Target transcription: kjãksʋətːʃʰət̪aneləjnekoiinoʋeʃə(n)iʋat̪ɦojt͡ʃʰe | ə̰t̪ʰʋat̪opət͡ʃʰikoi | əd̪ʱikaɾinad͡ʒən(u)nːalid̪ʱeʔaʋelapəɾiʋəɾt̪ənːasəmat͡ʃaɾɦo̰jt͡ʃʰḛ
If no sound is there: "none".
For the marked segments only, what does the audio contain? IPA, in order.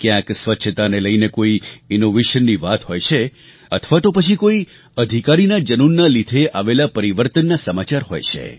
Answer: nː, u

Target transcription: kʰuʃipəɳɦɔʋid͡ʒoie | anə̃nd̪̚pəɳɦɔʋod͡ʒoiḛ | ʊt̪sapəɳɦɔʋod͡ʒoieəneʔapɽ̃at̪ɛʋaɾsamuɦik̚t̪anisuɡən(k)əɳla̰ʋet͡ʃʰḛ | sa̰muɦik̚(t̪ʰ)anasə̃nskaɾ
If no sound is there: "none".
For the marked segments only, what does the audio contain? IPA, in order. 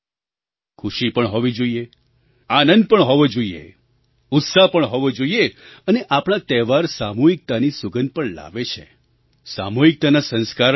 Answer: p, t̪

